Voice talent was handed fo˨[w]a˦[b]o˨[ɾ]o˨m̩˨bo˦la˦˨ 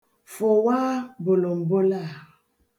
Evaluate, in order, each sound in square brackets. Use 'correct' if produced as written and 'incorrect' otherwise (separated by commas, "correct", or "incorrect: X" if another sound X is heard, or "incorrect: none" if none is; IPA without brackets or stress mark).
correct, correct, incorrect: l